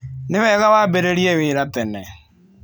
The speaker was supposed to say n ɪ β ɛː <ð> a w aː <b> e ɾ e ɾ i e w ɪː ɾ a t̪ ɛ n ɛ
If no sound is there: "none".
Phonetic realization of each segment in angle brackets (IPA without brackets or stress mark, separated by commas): ɣ, b